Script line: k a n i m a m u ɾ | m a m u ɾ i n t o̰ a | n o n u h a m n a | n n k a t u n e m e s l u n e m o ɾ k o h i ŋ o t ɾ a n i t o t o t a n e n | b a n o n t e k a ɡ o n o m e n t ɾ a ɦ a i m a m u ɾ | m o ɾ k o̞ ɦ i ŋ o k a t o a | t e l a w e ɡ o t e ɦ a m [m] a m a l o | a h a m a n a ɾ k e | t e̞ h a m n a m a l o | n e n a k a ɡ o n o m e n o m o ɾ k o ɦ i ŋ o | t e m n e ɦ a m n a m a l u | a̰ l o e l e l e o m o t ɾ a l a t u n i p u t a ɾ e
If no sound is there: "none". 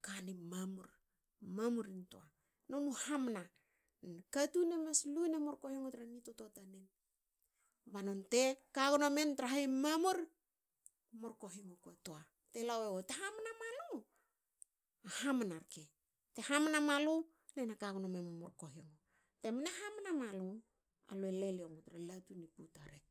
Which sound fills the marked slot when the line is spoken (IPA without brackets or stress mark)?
n